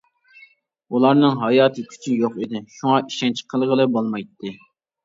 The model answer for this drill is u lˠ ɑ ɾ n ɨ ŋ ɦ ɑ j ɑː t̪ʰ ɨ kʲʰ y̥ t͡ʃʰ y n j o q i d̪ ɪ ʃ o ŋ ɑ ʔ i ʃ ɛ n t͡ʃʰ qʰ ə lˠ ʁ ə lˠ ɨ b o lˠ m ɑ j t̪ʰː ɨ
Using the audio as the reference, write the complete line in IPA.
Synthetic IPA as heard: u lˠ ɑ ɾ n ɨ ŋ ɦ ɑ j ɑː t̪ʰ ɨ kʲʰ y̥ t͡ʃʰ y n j o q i d̪ ɪ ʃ u ŋ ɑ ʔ i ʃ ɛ n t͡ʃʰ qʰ ə lˠ ʁ ə lˠ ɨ b o lˠ m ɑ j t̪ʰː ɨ